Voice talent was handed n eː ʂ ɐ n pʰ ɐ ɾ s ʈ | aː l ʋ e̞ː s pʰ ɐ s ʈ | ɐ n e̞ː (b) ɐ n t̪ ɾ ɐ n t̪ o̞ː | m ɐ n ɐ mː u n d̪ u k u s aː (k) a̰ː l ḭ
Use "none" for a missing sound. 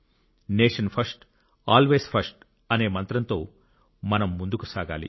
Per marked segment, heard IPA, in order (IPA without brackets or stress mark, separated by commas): m, ɡ